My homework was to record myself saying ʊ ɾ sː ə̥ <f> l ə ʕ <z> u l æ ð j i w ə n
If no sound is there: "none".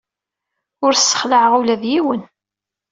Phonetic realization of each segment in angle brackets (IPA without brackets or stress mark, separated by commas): χ, ʁ